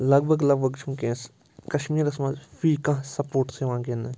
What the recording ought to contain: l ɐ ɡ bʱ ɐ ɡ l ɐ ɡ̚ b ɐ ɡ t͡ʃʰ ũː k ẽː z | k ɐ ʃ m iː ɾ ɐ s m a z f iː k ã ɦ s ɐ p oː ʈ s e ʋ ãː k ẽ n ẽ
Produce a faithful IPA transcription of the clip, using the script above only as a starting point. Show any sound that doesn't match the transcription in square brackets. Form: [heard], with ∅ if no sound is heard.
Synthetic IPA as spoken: l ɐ ɡ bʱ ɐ ɡ l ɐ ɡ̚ b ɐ ɡ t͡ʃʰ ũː k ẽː [s] | k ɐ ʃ m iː ɾ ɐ s m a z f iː k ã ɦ s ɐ p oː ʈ s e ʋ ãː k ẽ n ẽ